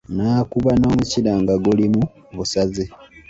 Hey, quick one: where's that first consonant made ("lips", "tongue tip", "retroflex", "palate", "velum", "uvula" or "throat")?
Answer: tongue tip